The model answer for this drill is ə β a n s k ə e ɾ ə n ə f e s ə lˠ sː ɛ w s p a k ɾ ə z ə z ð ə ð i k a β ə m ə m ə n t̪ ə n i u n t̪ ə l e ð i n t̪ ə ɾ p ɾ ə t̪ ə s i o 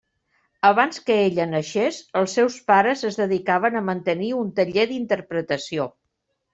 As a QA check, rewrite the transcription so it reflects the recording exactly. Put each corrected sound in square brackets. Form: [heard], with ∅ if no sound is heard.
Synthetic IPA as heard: ə β a n s k ə e [ʎ] ə n ə [ʃ] e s ə lˠ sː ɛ w s p a [∅] ɾ ə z ə z ð ə ð i k a β ə [n] ə m ə n t̪ ə n i u n t̪ ə [ʎ] e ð i n t̪ ə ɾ p ɾ ə t̪ ə s i o